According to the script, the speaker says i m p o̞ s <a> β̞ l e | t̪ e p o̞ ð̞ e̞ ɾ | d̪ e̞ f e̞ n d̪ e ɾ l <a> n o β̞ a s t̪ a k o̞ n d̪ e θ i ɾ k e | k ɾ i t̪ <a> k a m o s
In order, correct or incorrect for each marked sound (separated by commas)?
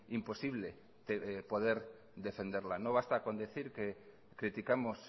incorrect, correct, incorrect